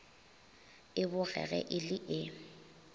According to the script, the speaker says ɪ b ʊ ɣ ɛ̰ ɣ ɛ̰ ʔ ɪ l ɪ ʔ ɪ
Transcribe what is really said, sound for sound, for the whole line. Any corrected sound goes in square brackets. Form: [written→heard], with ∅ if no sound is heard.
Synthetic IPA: ɪ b ʊ ɣ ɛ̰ ɣ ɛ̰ ʔ ɪ l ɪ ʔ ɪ